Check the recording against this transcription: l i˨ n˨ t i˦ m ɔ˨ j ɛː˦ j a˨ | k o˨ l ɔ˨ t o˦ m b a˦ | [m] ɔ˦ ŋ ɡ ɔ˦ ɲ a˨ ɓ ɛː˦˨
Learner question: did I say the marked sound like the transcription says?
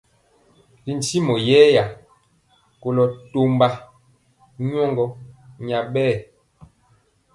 no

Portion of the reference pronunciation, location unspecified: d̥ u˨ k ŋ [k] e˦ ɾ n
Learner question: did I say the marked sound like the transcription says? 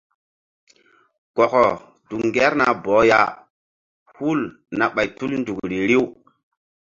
no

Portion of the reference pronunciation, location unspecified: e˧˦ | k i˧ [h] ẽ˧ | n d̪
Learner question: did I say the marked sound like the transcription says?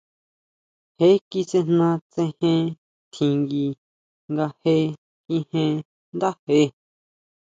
yes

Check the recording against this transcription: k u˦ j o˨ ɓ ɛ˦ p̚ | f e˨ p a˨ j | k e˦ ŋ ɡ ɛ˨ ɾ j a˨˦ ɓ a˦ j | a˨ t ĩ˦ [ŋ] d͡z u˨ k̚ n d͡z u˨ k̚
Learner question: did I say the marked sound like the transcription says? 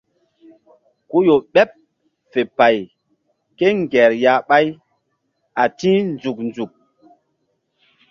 no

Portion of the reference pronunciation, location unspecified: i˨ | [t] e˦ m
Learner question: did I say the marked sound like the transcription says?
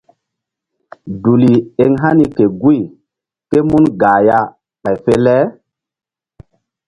no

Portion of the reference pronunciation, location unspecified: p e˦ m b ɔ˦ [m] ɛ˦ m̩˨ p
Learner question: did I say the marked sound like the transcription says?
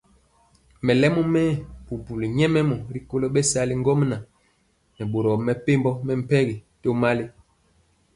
yes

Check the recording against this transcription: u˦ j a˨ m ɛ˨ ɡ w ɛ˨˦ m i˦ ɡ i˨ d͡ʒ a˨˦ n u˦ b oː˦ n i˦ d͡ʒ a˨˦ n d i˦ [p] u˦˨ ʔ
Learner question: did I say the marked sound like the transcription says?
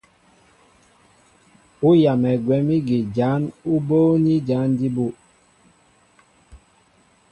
no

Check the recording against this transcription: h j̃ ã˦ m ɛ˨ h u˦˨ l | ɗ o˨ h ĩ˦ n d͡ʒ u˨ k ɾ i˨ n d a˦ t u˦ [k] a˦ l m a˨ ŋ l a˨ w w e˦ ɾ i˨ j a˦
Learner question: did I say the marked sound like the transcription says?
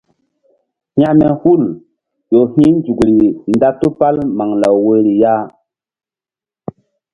no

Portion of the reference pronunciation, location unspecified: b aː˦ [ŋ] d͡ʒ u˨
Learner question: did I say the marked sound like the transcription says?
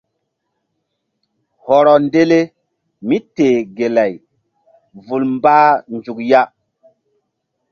no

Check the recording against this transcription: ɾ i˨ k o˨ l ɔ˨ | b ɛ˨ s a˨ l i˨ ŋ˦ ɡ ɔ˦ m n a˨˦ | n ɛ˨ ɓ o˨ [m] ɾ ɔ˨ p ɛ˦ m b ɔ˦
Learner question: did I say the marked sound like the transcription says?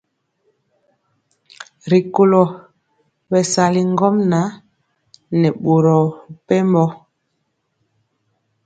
no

